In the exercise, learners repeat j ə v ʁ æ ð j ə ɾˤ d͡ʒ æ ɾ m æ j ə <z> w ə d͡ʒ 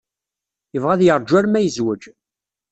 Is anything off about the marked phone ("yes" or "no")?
no